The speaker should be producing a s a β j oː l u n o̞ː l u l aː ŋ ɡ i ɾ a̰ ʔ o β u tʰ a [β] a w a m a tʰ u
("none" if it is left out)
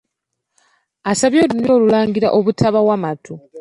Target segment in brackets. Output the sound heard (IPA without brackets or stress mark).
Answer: β